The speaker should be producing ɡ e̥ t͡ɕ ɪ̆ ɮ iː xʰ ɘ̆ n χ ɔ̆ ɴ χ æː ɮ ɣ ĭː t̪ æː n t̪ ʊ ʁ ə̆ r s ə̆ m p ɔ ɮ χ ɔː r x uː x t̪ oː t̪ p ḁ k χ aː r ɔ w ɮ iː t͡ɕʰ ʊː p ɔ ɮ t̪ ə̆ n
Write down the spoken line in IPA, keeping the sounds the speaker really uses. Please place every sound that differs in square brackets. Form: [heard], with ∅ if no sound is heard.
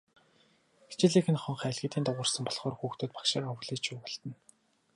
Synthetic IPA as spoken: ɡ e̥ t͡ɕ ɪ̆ ɮ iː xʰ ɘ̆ n χ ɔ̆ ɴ χ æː ɮ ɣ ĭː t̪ [iː] n t̪ ʊ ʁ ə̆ r s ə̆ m p ɔ ɮ χ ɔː r x uː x t̪ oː t̪ p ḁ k [ʃ] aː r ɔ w ɮ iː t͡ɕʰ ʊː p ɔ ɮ t̪ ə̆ n